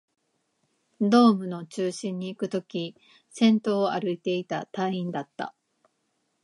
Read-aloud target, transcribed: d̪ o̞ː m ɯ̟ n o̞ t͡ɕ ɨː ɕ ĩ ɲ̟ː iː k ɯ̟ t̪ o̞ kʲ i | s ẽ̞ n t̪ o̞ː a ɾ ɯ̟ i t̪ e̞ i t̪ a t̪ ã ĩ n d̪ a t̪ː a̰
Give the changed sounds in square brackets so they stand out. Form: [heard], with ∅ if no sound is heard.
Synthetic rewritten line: d̪ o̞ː m ɯ̟ n o̞ t͡ɕ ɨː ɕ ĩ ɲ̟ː iː k ɯ̟ t̪ o̞ kʲ i | s ẽ̞ n t̪ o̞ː a ɾ ɯ̟ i t̪ e̞ i t̪ a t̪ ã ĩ n d̪ a t̪ː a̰

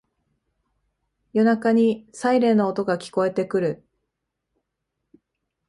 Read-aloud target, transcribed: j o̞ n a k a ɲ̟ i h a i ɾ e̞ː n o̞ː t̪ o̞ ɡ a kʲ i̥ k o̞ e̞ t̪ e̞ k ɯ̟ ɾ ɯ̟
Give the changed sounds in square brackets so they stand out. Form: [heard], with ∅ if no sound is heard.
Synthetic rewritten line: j o̞ n a k a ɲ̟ i [s] a i ɾ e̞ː n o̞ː t̪ o̞ ɡ a kʲ i̥ k o̞ e̞ t̪ e̞ k ɯ̟ ɾ ɯ̟

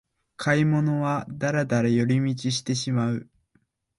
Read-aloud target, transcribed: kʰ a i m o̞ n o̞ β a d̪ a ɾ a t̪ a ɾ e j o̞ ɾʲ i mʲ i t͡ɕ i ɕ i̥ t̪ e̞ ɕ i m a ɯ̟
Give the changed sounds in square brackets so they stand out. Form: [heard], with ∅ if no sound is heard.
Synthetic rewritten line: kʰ a i m o̞ n o̞ β a d̪ a ɾ a [d̪] a ɾ [a] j o̞ ɾʲ i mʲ i t͡ɕ i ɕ i̥ t̪ e̞ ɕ i m a ɯ̟

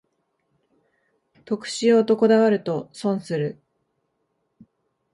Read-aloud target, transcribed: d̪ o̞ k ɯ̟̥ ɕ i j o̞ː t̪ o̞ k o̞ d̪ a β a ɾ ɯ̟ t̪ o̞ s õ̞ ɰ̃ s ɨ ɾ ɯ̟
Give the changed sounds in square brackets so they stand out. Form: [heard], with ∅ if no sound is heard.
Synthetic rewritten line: [t̪] o̞ k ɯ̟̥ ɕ i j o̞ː t̪ o̞ k o̞ d̪ a β a ɾ ɯ̟ t̪ o̞ s õ̞ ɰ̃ s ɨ ɾ ɯ̟

